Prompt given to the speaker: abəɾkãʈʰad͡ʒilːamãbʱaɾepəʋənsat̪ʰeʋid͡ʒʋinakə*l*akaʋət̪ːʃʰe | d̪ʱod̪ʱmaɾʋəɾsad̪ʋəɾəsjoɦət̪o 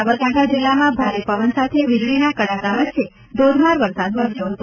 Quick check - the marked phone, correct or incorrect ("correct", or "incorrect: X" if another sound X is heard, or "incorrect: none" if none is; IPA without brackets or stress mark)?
incorrect: ɽ